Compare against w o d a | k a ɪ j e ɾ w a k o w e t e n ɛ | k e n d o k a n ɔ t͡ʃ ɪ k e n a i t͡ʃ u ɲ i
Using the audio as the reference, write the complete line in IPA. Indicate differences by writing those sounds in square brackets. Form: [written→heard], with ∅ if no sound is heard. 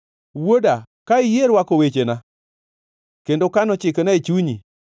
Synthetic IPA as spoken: w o d a | k a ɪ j e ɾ w a k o w e [t→t͡ʃ] e n [ɛ→a] | k e n d o k a n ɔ t͡ʃ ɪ k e n a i t͡ʃ u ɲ i

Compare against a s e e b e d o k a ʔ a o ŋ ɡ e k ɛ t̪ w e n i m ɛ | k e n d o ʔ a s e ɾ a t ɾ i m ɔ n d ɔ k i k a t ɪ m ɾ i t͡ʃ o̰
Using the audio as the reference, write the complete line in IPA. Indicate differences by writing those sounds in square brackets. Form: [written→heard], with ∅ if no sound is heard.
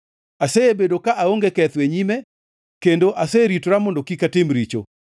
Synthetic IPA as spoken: a s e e b e d o k a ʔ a o ŋ ɡ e k ɛ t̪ w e [n→ɲ] i m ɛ | k e n d o ʔ a s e ɾ [a→i] t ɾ [i→a] m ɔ n d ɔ k i k a t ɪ m ɾ i t͡ʃ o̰

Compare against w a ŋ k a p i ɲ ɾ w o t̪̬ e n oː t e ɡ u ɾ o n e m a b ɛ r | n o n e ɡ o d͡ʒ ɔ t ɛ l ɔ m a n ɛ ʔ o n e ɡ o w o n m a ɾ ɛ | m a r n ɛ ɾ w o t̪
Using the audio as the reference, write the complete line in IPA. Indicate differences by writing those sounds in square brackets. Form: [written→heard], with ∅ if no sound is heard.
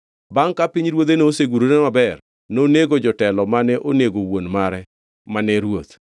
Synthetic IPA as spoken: [w→b] a ŋ k a p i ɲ ɾ w o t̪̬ e n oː [t→s] e ɡ u ɾ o n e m a b ɛ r | n o n e ɡ o d͡ʒ ɔ t ɛ l ɔ m a n ɛ ʔ o n e ɡ o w o n m a ɾ ɛ | m a [r→∅] n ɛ ɾ w o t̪

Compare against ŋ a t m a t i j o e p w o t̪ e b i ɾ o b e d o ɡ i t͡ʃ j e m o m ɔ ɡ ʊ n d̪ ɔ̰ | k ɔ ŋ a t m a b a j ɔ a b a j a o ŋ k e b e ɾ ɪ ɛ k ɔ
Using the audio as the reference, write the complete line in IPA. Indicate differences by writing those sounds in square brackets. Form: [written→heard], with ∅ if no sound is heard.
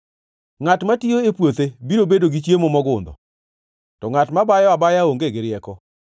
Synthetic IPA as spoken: ŋ a t m a t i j o e p w o t̪ e b i ɾ o b e d o ɡ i t͡ʃ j e m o m ɔ ɡ ʊ n d̪ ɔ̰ | [k→t] ɔ ŋ a t m a b a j ɔ a b a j a o ŋ [k→ɡ] e [b→ɡ] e ɾ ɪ ɛ k ɔ

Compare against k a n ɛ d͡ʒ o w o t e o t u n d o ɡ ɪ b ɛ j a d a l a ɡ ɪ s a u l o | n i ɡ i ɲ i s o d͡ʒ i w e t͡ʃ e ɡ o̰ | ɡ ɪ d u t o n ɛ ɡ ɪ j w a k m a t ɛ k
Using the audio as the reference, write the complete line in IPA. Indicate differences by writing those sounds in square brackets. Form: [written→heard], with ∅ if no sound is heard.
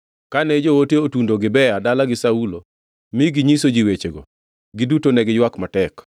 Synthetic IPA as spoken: k a n ɛ d͡ʒ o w o t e o t u n d o ɡ ɪ b ɛ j a d a l a ɡ ɪ s a u l o | [n→m] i ɡ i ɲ i s o d͡ʒ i w e t͡ʃ e ɡ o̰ | ɡ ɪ d u t o n ɛ ɡ ɪ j w a k m a t ɛ k

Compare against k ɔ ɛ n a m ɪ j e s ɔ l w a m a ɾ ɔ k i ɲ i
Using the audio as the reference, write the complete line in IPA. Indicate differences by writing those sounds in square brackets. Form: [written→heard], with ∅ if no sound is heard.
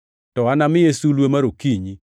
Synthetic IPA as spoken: [k→t] ɔ [ɛ→a] n a m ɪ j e s [ɔ→u] l w [a→e] m a ɾ [ɔ→o] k i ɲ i

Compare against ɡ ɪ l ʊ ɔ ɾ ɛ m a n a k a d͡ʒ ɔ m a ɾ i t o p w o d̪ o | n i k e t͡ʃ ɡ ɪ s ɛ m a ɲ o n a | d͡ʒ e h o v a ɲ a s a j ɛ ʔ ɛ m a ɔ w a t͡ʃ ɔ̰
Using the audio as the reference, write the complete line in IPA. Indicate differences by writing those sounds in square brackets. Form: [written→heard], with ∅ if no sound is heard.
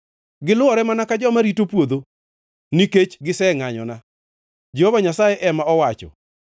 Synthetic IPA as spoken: ɡ ɪ l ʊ ɔ ɾ ɛ m a n a k a d͡ʒ ɔ m a ɾ i t o p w o d̪ o | n i k e t͡ʃ ɡ ɪ s ɛ [m→ŋ] a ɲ [o→ɔ] n a | d͡ʒ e h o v a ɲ a s a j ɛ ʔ ɛ m a ɔ w a t͡ʃ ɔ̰

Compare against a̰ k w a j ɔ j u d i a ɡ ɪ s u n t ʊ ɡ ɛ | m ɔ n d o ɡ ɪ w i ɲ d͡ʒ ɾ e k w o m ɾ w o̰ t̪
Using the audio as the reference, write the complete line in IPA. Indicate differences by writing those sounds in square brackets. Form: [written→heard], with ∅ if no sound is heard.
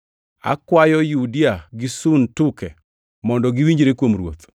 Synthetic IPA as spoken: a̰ k w a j ɔ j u d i a ɡ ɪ s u n t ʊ [ɡ→k] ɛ | m ɔ n d [o→ɔ] ɡ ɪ w i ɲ d͡ʒ ɾ e k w o m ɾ w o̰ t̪

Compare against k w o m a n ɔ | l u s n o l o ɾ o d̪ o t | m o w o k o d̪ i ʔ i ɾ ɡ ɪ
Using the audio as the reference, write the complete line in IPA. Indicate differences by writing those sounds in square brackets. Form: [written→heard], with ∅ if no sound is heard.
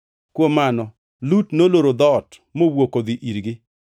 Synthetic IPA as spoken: k w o m a n ɔ | l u [s→t] n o l o ɾ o d̪ [o→ɔ] t | m o w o k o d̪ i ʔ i ɾ ɡ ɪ

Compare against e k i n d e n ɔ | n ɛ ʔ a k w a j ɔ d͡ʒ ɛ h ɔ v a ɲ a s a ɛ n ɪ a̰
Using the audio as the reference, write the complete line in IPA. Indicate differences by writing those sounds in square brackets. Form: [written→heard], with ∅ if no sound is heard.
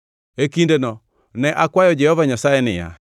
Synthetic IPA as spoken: e k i n d e n ɔ | n ɛ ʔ a k w a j ɔ d͡ʒ ɛ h ɔ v a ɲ a s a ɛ n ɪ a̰

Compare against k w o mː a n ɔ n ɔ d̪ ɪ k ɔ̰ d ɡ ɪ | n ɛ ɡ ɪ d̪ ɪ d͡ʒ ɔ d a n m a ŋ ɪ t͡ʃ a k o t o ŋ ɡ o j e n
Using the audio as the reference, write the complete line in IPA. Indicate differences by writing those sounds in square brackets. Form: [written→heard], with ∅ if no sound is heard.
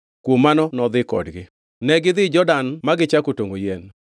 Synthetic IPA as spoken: k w o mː a n ɔ n ɔ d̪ ɪ k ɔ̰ d ɡ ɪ | n ɛ ɡ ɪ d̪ ɪ d͡ʒ ɔ d a n m a [ŋ→ɡ] ɪ t͡ʃ a k o t o ŋ ɡ o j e n

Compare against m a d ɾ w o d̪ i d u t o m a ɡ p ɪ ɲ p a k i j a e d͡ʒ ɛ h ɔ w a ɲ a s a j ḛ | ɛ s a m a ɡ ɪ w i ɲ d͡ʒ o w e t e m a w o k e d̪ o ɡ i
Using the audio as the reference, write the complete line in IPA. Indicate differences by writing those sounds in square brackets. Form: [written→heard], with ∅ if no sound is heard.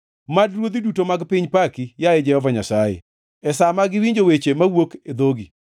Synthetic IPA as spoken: m a d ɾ w o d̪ i d u t o m a ɡ p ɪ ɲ p a k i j a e d͡ʒ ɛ h ɔ [w→v] a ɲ a s a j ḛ | ɛ s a m a ɡ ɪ w i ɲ d͡ʒ o w e [t→t͡ʃ] e m a w o k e d̪ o ɡ i

